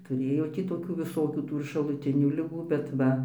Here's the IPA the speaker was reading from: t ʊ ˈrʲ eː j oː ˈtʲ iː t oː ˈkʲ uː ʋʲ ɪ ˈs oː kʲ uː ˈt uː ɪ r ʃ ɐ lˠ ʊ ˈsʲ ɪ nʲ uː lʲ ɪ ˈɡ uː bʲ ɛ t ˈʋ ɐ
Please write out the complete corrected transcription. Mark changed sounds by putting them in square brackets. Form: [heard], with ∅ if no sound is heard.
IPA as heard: t ʊ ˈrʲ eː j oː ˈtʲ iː t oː ˈkʲ uː ʋʲ ɪ ˈs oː kʲ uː ˈt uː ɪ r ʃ ɐ lˠ ʊ [ˈtʲ] ɪ nʲ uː lʲ ɪ ˈɡ uː bʲ ɛ t ˈʋ ɐ